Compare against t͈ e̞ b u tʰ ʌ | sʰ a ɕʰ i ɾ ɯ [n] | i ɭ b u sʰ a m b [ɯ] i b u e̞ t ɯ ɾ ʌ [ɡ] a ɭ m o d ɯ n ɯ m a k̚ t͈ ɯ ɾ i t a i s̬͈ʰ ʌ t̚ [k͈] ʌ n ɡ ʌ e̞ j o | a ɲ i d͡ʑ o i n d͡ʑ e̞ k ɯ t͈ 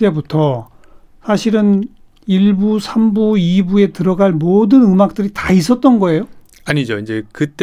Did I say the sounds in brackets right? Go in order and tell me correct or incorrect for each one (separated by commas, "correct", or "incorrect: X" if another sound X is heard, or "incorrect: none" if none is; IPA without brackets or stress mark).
correct, incorrect: u, correct, incorrect: t͈